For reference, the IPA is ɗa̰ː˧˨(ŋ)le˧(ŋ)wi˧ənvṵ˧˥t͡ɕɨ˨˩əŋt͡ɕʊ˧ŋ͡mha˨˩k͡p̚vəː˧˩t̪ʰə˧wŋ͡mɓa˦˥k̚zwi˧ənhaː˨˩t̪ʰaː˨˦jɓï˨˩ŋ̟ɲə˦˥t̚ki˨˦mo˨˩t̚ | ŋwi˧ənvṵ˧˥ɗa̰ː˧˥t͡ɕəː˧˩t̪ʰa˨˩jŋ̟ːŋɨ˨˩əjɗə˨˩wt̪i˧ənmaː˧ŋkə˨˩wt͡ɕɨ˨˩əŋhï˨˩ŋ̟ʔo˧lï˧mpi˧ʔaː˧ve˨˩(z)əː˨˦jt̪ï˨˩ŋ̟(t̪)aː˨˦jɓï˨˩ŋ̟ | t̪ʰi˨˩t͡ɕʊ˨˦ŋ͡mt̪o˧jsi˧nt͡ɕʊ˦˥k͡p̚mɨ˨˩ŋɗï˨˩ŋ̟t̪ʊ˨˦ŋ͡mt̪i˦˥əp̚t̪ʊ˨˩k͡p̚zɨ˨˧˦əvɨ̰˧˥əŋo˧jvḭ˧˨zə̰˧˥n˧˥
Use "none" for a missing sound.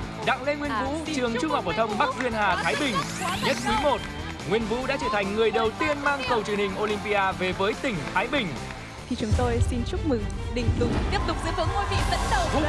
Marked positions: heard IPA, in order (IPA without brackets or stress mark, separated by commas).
ŋ, ŋ, v, t̪ʰ